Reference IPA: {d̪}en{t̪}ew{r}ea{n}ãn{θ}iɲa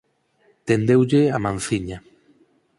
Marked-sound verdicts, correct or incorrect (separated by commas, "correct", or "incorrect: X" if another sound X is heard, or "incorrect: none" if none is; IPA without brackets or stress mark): incorrect: t̪, incorrect: d̪, incorrect: ʎ, incorrect: m, correct